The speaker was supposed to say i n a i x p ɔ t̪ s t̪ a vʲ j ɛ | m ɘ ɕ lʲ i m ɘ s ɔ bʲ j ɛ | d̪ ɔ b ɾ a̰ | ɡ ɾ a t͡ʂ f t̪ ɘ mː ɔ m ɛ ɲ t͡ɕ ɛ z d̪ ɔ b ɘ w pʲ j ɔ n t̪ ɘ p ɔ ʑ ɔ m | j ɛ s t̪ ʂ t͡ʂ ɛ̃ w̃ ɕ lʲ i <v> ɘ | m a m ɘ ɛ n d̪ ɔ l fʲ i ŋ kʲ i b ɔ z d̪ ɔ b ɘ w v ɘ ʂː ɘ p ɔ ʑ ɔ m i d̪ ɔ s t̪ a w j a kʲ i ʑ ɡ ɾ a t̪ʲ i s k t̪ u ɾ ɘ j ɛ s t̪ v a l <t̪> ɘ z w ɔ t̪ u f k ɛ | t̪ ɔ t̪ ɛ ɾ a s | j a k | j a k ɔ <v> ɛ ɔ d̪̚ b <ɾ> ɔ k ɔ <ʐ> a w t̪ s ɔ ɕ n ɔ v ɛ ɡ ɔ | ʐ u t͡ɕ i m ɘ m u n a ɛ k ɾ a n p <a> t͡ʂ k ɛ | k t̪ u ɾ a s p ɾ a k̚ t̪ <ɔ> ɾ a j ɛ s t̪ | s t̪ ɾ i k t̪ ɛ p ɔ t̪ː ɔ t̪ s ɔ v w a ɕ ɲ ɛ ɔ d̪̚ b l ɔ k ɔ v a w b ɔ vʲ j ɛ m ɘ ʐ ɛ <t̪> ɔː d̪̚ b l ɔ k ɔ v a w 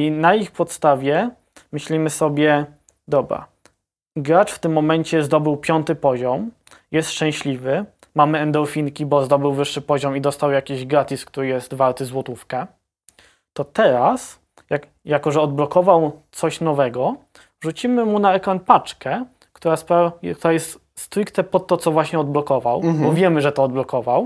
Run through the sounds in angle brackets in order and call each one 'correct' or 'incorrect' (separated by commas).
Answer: correct, correct, incorrect, incorrect, incorrect, correct, incorrect, correct